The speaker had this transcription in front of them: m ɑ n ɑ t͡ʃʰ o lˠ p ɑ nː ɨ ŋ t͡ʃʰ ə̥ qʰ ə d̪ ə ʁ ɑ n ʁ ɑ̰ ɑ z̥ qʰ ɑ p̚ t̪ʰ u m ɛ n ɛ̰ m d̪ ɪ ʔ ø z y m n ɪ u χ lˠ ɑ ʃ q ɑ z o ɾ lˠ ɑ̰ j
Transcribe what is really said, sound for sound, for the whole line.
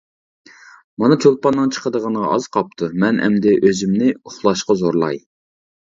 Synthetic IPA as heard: m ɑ n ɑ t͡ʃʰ o lˠ p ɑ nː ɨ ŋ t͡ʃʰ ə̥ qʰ ə d̪ ə ʁ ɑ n ʁ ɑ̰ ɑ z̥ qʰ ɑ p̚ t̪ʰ u m ɛ n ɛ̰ m d̪ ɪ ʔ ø z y m n ɪ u χ lˠ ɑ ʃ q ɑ z o ɾ lˠ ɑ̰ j